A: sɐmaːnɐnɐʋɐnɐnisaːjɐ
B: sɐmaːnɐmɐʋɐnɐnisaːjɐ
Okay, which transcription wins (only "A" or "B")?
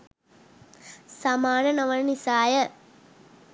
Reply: A